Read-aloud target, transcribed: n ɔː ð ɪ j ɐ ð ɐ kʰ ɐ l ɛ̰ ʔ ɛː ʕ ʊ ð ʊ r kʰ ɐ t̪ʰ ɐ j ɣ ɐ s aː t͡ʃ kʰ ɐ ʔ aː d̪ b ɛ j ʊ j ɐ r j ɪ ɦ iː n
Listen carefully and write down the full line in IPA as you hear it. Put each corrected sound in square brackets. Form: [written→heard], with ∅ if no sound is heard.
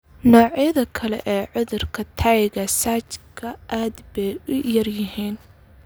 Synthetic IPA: n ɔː [ð→ʕ] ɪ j ɐ ð ɐ kʰ ɐ l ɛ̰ ʔ ɛː ʕ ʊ ð ʊ r kʰ ɐ t̪ʰ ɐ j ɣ ɐ s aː t͡ʃ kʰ ɐ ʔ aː d̪ b ɛ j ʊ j ɐ r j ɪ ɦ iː n